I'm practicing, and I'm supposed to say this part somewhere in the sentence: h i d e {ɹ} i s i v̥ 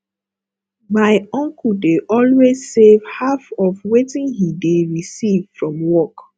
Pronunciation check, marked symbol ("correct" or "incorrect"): correct